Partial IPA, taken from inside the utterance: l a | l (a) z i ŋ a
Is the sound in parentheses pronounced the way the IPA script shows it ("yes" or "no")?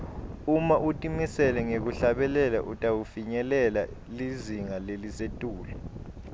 no